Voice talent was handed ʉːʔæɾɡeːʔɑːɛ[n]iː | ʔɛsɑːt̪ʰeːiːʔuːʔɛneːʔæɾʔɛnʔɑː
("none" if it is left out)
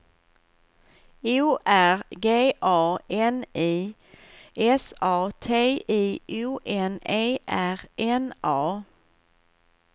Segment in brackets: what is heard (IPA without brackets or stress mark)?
n